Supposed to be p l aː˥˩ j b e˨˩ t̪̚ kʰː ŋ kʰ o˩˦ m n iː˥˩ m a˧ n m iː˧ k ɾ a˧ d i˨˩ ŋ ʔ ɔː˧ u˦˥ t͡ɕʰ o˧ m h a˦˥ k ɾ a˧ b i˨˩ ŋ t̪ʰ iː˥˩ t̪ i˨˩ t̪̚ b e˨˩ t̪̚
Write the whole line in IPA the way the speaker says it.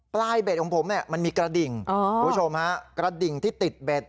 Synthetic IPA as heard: p l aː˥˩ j b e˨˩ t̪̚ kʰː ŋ pʰ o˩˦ m n i˥˩ m a˧ n m iː˧ k ɾ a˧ d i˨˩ ŋ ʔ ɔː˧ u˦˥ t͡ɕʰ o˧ m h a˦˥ k ɾ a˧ d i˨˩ ŋ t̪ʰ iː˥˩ t̪ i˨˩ t̪̚ b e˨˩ t̪̚